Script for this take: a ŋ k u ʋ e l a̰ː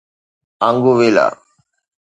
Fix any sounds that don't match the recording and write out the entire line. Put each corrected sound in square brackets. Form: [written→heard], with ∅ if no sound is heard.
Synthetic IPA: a ŋ [k→ɡ] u ʋ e l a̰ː